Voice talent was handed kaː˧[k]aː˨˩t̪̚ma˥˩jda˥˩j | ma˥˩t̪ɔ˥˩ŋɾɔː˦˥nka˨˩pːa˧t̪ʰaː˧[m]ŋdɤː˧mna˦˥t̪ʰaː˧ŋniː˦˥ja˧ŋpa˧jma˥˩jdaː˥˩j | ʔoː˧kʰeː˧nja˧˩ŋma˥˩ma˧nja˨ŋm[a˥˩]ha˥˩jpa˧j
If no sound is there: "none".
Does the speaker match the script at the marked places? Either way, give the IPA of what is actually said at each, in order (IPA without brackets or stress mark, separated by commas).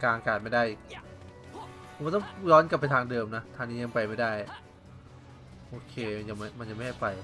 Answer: k, none, a˥˩